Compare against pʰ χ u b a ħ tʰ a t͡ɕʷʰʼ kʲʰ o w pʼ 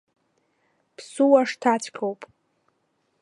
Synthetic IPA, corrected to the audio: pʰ s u w a ʂ tʰ a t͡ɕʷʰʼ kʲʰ o w pʼ